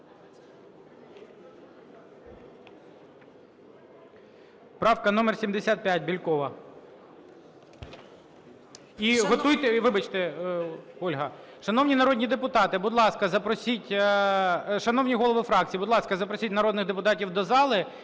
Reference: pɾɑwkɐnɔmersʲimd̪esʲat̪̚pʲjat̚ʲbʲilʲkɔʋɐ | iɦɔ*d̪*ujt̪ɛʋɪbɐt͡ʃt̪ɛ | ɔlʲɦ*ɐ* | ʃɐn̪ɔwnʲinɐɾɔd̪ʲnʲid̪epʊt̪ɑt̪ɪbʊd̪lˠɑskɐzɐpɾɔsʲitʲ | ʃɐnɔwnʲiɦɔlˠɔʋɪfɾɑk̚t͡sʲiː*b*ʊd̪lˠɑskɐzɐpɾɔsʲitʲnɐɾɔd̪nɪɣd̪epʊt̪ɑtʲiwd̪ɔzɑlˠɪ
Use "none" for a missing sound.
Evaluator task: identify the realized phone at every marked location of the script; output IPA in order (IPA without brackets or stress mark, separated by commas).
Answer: t̪, ɐ, b